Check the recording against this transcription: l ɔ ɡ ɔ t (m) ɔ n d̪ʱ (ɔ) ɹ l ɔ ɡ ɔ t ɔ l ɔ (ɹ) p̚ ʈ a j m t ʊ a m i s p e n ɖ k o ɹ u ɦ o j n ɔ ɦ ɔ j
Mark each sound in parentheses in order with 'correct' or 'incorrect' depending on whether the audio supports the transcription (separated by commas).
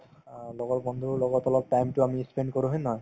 incorrect, incorrect, incorrect